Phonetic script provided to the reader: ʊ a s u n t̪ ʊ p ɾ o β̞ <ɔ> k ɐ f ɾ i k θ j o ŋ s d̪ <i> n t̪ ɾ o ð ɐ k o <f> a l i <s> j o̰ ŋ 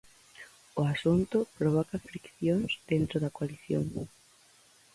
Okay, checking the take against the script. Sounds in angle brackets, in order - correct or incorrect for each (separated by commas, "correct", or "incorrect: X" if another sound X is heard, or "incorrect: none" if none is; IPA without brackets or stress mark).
correct, incorrect: e, incorrect: none, incorrect: θ